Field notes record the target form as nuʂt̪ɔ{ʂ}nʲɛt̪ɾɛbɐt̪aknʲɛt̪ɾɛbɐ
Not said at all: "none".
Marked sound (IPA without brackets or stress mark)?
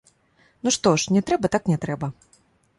ʂ